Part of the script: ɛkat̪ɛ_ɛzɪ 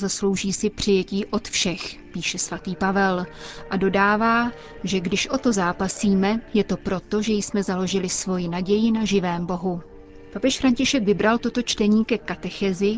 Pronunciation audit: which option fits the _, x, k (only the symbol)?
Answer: x